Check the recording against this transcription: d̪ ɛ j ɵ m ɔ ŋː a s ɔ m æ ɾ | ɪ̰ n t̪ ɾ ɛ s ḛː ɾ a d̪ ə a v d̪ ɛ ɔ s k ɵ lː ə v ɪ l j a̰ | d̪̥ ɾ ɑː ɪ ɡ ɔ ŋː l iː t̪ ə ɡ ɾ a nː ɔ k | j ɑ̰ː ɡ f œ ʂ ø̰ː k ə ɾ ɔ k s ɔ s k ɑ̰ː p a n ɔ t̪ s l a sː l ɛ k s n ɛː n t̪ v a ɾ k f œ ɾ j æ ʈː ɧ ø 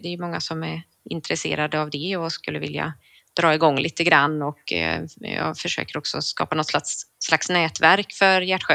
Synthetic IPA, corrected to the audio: d̪ ɛ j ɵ m ɔ ŋː a s ɔ m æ ɾ | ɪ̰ n t̪ ɾ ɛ s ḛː ɾ a d̪ ə a v d̪ ɛ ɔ s k ɵ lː ə v ɪ l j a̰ | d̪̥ ɾ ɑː ɪ ɡ ɔ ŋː l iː t̪ ə ɡ ɾ a nː ɔ k | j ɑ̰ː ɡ f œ ʂ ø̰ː k ə ɾ ɔ k s ɔ s k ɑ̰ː p a n ɔ t̪ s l a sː l a k s n ɛː t̪ v æ ɾ k f œ ɾ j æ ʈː ɧ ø